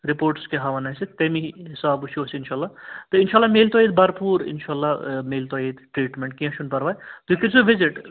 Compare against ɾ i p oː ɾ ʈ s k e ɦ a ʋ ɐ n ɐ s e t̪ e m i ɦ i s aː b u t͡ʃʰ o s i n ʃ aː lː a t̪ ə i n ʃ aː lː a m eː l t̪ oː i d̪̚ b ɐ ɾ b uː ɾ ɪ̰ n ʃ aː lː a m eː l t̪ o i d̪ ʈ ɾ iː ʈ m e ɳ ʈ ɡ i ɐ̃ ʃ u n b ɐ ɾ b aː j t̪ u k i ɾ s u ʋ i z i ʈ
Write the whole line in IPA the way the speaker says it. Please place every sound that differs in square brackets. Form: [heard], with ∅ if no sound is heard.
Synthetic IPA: ɾ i p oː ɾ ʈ s k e ɦ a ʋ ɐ n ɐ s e t̪ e m i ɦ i s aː b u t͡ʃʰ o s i n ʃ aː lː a t̪ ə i n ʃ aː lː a m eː l t̪ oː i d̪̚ b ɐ ɾ [p] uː ɾ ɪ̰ n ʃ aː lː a m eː l t̪ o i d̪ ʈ ɾ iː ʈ m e ɳ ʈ [k] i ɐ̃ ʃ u n [p] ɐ ɾ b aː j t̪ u k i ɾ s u ʋ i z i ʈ

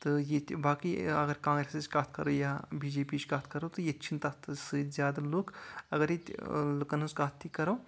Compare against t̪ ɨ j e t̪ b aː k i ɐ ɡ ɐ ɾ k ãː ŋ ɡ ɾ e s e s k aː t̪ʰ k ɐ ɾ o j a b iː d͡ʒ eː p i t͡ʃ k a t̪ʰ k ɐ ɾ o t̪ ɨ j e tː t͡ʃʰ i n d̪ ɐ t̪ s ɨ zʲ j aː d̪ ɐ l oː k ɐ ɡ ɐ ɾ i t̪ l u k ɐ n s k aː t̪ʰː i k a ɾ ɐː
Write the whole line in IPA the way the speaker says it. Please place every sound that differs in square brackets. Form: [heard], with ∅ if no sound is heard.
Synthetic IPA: t̪ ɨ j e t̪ b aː k i ɐ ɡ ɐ ɾ k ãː ŋ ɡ ɾ e s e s k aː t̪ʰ k ɐ ɾ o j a b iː d͡ʒ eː p i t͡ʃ k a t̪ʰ k ɐ ɾ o t̪ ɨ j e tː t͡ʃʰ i n [t̪] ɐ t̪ s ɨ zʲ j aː d̪ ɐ l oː k ɐ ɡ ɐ ɾ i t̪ l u k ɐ n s k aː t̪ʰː i k [ɐ] ɾ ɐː

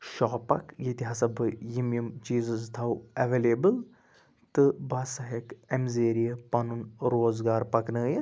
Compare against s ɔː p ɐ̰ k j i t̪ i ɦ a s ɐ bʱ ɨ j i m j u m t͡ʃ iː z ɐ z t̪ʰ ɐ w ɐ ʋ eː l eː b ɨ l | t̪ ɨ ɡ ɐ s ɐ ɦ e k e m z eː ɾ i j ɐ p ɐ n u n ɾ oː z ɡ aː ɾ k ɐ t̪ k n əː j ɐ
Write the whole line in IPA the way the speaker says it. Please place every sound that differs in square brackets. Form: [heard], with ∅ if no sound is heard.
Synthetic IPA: [ʃ] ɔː p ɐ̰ k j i t̪ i ɦ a s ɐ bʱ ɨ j i m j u m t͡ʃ iː z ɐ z t̪ʰ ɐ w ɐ ʋ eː l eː b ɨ l | t̪ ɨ [b] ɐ s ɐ ɦ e k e m z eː ɾ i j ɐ p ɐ n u n ɾ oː z ɡ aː ɾ [p] ɐ [∅] k n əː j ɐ

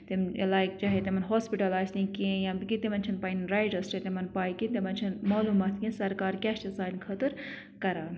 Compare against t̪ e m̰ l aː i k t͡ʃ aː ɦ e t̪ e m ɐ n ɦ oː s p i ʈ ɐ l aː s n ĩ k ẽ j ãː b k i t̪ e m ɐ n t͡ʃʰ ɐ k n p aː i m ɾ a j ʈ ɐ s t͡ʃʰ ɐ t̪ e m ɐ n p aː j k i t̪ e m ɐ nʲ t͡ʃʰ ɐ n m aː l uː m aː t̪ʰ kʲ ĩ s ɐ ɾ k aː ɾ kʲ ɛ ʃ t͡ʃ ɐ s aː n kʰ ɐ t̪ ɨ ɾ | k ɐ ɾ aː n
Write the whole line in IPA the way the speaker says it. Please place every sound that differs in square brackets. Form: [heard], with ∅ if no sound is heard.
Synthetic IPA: t̪ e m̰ l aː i k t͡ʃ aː ɦ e t̪ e m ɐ n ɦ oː s p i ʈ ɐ l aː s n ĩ k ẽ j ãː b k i t̪ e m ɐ n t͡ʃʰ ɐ [∅] n p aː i [n] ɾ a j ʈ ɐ s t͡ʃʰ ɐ t̪ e m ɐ n p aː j k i t̪ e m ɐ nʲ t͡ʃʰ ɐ n m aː l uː m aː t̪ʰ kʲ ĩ s ɐ ɾ k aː ɾ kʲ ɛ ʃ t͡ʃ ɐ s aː n kʰ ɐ t̪ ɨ ɾ | k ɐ ɾ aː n

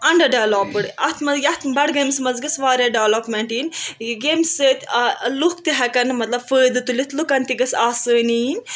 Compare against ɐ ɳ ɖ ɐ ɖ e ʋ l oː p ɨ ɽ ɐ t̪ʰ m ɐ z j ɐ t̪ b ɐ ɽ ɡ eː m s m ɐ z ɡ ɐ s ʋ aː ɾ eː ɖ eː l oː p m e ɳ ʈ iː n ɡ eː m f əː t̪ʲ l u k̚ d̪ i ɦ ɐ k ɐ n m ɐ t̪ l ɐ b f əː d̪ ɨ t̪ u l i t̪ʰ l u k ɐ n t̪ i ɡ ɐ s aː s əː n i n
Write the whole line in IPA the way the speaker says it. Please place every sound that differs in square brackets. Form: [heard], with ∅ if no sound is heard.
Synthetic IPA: ɐ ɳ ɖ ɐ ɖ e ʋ l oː p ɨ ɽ ɐ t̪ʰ m ɐ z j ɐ t̪ b ɐ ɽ ɡ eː m s m ɐ z ɡ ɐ s ʋ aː ɾ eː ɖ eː l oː p m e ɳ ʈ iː n ɡ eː m [s] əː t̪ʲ l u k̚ [t̪] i ɦ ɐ k ɐ n m ɐ t̪ l ɐ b f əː d̪ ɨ t̪ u l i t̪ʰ l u k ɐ n t̪ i ɡ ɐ s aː s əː n i n

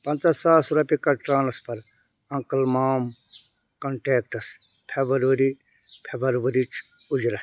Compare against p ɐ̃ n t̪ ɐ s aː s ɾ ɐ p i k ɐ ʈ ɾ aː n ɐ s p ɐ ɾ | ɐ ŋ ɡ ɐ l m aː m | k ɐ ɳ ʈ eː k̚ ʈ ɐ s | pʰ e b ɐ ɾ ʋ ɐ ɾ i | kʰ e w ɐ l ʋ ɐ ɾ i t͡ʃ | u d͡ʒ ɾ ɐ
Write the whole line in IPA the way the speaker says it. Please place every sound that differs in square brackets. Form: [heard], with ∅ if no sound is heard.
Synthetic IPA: p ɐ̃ n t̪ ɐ s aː s ɾ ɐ p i k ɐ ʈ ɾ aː n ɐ s p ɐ ɾ | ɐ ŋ [k] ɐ l m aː m | k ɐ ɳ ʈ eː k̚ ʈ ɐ s | pʰ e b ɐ ɾ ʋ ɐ ɾ i | [pʰ] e [b] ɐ [ɾ] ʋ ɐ ɾ i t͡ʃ | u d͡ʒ ɾ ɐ

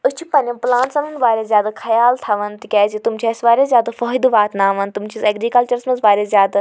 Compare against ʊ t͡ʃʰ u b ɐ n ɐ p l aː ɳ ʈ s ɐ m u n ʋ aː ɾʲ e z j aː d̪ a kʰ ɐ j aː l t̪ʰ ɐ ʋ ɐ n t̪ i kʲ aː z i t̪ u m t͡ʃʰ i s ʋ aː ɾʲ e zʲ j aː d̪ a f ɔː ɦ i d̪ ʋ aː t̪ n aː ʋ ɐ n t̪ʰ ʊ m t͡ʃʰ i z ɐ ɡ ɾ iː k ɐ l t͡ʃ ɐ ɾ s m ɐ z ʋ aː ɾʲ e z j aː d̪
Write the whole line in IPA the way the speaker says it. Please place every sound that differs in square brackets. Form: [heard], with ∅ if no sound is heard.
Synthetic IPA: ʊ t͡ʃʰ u [p] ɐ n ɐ p l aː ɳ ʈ s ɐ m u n ʋ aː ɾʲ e z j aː d̪ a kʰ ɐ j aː l t̪ʰ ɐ ʋ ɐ n t̪ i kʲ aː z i t̪ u m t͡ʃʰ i s ʋ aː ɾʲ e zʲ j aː d̪ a f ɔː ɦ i d̪ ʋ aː t̪ n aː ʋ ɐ n [t̪] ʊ m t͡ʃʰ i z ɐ ɡ ɾ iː k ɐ l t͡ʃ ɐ ɾ s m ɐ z ʋ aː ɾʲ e z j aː d̪

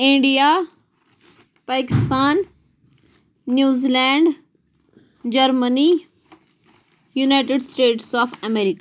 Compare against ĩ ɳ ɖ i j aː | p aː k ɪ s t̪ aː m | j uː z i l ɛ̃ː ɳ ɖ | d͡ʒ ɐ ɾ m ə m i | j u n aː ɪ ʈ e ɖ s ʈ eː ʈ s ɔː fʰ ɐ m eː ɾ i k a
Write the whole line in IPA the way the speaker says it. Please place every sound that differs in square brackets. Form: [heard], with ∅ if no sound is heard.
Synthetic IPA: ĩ ɳ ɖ i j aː | p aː k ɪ s t̪ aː [n] | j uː z i l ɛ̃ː ɳ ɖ | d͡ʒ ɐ ɾ m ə [n] i | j u n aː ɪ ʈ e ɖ s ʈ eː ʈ s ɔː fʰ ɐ m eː ɾ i k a

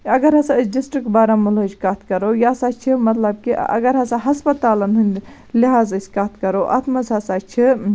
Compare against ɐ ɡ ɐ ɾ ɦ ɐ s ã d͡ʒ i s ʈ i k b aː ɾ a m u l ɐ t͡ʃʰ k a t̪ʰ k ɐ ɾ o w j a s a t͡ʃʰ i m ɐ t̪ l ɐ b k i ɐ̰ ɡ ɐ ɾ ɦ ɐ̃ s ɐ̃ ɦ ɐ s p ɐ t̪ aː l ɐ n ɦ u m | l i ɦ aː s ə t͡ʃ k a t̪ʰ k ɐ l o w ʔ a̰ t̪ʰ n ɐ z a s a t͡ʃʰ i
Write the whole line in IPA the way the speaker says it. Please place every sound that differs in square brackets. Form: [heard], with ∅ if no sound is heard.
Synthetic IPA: ɐ ɡ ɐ ɾ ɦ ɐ s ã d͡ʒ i s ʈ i k b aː ɾ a m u l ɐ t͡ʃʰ k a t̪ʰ k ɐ ɾ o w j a s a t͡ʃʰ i m ɐ t̪ l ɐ b k i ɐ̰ ɡ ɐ ɾ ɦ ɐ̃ s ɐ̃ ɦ ɐ s p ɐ t̪ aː l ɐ n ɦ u [n] | l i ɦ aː [z] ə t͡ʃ k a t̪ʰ k ɐ [ɾ] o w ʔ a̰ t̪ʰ [m] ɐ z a s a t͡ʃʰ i

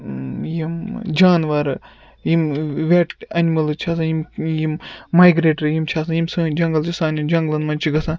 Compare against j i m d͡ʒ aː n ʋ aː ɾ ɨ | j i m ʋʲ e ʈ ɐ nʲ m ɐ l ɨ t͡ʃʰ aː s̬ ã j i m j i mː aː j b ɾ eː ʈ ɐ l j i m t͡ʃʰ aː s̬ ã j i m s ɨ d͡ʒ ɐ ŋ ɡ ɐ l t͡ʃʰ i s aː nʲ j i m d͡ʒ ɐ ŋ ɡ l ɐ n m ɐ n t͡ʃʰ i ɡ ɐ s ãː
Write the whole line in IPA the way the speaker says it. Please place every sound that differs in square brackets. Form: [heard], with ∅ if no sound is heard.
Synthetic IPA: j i m d͡ʒ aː n ʋ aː ɾ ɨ | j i m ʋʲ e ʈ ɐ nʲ m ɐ l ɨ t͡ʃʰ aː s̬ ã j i m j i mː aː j [ɡ] ɾ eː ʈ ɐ [ɾ] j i m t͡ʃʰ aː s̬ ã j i m s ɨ d͡ʒ ɐ ŋ ɡ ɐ l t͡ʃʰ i s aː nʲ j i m d͡ʒ ɐ ŋ ɡ l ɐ n m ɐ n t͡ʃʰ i ɡ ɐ s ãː

